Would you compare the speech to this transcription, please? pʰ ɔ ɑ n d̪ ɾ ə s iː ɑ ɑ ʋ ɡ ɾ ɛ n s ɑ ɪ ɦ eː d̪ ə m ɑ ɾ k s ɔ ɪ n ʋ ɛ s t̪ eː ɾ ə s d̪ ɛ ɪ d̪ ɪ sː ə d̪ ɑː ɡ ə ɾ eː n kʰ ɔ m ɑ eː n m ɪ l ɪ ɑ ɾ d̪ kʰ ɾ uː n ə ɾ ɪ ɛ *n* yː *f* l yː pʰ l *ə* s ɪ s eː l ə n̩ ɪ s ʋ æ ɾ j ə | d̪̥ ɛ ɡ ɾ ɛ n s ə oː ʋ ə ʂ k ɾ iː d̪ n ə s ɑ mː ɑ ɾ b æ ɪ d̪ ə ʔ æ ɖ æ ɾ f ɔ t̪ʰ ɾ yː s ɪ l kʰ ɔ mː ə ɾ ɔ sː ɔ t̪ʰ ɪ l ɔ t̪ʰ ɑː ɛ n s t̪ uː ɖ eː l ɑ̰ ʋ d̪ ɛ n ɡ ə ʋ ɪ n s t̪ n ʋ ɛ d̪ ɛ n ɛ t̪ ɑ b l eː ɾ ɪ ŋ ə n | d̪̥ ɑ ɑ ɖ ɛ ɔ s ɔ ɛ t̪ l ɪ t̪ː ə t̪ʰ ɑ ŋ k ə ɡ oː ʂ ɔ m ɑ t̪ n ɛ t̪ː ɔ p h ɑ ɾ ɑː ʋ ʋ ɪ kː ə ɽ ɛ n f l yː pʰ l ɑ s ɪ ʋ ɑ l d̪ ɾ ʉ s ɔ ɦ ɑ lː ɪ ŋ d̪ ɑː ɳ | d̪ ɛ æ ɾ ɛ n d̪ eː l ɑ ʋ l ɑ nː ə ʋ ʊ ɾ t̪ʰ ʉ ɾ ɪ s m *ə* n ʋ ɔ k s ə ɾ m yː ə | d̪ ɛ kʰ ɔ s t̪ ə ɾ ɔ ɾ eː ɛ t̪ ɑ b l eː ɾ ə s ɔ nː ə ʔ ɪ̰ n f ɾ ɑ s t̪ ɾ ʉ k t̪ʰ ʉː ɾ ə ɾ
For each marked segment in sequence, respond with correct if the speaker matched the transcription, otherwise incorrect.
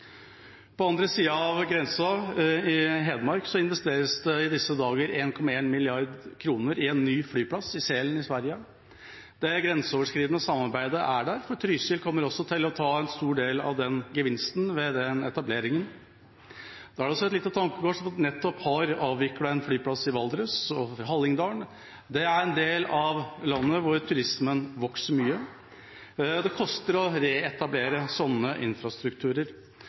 incorrect, correct, incorrect, correct

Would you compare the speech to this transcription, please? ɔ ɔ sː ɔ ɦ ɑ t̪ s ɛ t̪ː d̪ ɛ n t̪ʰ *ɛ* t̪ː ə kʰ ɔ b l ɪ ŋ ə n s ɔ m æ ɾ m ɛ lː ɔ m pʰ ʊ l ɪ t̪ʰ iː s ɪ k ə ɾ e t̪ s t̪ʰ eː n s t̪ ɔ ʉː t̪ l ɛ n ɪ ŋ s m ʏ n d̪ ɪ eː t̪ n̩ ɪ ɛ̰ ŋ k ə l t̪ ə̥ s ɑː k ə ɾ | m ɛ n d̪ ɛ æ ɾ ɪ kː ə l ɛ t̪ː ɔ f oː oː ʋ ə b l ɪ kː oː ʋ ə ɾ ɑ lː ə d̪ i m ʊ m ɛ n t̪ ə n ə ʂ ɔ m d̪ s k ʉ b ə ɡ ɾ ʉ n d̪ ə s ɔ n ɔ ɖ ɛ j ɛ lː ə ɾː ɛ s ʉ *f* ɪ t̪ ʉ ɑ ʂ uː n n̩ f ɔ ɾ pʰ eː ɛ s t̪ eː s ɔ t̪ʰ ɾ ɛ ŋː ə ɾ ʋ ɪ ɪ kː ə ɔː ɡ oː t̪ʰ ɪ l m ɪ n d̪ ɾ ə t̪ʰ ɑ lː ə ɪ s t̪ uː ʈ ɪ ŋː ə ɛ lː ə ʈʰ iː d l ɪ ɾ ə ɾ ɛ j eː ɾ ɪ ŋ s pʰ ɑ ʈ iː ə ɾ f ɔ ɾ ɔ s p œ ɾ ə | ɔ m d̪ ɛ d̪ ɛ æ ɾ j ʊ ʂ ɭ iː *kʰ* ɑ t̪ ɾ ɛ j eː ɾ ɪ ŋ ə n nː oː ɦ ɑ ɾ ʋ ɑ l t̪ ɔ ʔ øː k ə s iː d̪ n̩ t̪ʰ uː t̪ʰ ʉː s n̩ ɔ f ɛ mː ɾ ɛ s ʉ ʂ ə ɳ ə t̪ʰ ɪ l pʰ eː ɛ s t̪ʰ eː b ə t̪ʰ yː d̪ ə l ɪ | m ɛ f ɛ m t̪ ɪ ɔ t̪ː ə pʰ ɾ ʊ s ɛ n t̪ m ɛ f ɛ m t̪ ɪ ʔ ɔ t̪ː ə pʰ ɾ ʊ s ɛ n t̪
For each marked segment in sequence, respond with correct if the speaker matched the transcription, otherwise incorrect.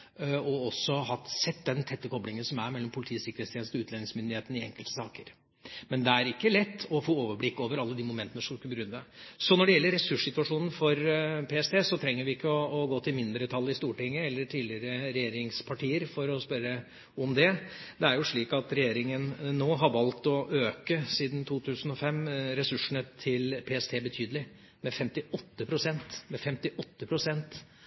correct, incorrect, incorrect

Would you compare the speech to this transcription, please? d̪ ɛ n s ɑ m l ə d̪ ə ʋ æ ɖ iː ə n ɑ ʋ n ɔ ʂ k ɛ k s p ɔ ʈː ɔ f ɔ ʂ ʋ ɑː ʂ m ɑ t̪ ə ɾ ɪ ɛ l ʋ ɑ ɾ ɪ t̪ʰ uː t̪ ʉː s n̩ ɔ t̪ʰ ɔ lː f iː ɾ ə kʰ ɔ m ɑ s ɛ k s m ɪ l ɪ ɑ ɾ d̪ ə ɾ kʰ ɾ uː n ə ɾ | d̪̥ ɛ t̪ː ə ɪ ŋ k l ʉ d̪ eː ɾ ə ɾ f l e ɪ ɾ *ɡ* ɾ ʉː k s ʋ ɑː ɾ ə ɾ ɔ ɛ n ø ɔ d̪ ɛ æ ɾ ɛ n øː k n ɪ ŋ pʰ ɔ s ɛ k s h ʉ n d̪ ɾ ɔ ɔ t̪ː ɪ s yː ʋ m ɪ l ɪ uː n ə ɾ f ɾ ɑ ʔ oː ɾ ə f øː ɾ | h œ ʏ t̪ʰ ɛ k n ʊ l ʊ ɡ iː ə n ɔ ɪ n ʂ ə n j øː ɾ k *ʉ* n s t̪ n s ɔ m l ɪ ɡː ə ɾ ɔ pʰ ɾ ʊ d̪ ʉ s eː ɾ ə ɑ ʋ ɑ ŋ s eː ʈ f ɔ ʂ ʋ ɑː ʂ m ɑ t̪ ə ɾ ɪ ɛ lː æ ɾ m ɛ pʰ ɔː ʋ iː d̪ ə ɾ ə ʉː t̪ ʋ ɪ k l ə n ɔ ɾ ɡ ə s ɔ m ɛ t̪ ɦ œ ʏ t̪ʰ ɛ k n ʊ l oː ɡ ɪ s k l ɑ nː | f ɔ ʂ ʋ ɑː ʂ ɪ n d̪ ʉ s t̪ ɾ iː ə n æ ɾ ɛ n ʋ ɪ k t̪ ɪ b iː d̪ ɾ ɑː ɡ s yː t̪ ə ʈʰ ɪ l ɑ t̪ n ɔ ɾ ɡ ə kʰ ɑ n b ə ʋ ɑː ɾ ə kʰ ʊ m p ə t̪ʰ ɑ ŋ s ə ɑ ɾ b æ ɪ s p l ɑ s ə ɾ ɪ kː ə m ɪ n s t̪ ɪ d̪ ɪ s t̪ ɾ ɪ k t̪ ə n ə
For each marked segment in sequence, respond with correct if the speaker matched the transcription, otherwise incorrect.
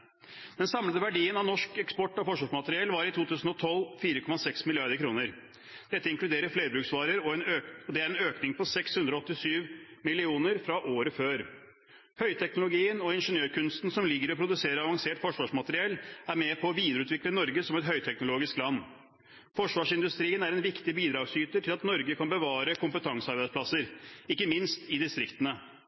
incorrect, correct

